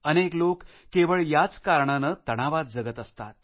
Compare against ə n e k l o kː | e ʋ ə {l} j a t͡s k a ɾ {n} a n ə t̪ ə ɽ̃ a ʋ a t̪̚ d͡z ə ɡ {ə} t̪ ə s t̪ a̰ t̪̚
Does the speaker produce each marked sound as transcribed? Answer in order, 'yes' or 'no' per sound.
no, no, yes

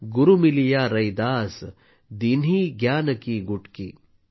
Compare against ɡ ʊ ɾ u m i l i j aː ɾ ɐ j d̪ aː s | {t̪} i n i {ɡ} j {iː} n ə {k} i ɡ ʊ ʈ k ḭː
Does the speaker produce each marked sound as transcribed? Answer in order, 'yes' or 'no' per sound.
no, yes, no, yes

